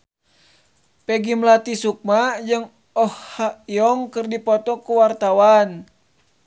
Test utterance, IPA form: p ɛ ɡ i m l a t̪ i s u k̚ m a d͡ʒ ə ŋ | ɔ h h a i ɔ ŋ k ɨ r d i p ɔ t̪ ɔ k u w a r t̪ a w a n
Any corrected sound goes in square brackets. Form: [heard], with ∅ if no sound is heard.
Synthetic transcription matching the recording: p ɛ ɡ i m l a t̪ i s u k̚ m a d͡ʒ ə ŋ | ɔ h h a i ɔ ŋ k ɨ r d i p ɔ t̪ ɔ k u w a r t̪ a w a n